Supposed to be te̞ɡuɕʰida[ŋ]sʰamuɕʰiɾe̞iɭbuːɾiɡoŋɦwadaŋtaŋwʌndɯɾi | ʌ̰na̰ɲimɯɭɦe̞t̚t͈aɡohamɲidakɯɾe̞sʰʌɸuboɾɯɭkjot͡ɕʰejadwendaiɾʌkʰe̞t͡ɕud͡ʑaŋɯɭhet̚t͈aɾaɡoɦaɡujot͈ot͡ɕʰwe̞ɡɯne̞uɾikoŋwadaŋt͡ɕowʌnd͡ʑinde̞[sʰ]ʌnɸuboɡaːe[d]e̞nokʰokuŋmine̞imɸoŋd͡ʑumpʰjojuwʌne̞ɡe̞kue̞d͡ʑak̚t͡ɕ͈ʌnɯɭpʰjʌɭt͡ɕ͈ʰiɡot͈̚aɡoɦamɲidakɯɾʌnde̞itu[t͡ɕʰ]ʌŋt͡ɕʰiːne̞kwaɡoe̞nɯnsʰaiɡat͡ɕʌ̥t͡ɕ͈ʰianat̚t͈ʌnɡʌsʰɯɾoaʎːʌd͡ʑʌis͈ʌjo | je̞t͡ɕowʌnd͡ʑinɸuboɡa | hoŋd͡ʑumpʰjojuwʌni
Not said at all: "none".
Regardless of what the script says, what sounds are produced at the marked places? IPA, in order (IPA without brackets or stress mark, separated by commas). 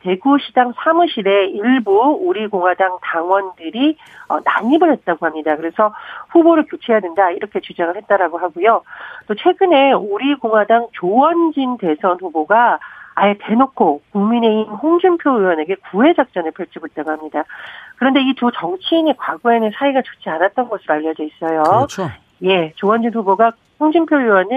ŋ, sʰ, t, t͡ɕ